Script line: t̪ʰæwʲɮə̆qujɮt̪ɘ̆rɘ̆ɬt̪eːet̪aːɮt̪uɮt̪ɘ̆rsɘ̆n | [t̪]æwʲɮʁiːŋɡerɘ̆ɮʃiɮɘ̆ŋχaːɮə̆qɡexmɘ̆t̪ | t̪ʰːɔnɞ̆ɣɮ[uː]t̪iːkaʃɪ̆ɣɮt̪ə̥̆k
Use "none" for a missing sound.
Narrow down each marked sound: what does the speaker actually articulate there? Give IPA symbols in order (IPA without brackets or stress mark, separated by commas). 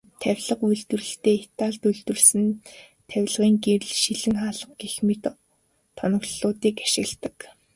t̪ʰ, ʊː